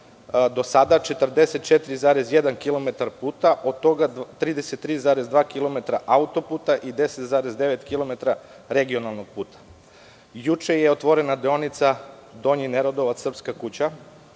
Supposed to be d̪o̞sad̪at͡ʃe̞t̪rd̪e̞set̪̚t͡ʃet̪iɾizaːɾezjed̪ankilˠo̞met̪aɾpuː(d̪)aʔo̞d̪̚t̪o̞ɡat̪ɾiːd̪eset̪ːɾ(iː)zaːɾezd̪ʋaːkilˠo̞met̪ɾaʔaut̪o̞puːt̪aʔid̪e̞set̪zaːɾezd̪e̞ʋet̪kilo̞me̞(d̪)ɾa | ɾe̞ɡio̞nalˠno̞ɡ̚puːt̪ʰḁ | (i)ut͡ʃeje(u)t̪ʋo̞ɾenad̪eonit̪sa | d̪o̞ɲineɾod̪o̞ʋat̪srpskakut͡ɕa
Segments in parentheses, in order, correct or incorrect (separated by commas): incorrect, correct, incorrect, incorrect, incorrect